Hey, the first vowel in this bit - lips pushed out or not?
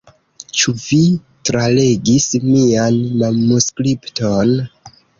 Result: yes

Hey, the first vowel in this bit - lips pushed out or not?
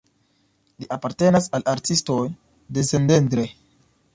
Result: no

